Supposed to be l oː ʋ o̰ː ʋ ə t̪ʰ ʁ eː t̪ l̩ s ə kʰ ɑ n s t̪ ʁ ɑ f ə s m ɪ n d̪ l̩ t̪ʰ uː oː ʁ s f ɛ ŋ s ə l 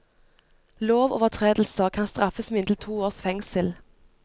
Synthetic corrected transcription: l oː ʋ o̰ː ʋ ə t̪ʰ ʁ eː d̪ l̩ s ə kʰ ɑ n s t̪ ʁ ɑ f ə s m ɪ n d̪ l̩ t̪ʰ uː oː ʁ s f ɛ ŋ s ə l